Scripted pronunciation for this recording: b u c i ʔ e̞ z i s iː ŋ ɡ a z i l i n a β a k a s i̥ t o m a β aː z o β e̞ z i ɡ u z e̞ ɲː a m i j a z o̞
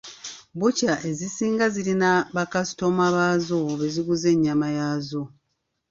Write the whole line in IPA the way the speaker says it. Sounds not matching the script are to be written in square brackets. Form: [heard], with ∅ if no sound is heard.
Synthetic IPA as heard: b u c [a] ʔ e̞ z i s iː ŋ ɡ a z i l i n a β a k a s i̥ t o m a β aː z o β e̞ z i ɡ u z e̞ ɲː a m [a] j a z o̞